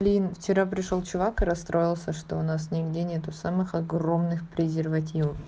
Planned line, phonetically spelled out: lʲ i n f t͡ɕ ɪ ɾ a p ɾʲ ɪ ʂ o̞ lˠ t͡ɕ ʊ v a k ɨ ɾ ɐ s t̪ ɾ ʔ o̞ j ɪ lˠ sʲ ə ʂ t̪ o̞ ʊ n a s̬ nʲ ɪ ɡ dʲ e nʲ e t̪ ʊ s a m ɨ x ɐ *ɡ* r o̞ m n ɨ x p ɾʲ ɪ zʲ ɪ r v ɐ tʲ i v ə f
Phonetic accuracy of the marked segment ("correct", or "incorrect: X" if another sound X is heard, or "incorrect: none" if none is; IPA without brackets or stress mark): correct